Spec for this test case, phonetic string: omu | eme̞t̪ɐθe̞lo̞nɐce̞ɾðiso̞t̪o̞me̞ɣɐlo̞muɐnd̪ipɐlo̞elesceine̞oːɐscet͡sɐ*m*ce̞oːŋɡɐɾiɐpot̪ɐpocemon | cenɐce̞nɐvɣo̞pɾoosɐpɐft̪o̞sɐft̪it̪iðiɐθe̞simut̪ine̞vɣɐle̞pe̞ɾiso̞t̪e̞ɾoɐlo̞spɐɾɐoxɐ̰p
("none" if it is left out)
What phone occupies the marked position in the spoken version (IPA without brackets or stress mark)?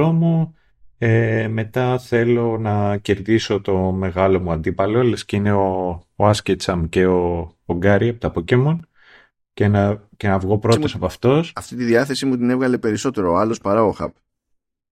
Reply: m